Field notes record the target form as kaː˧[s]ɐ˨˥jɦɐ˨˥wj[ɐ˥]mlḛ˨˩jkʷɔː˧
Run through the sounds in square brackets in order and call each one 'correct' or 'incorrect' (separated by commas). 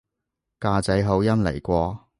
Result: incorrect, correct